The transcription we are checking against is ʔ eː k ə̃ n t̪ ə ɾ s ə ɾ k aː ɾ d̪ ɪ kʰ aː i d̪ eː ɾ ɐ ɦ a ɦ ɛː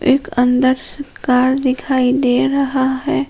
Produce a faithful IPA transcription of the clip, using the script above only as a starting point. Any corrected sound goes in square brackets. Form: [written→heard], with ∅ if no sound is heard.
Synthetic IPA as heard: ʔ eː k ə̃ n [t̪→d̪] ə ɾ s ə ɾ k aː ɾ d̪ ɪ kʰ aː i d̪ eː ɾ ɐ ɦ a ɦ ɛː

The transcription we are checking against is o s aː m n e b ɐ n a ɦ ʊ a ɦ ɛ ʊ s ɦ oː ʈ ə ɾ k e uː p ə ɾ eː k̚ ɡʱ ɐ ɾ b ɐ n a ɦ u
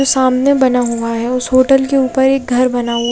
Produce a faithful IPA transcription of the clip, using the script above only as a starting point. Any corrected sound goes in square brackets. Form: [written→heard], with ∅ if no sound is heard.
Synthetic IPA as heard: o s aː m n e b ɐ n a ɦ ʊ a ɦ ɛ ʊ s ɦ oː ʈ ə [ɾ→l] k e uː p ə ɾ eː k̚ ɡʱ ɐ ɾ b ɐ n a ɦ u

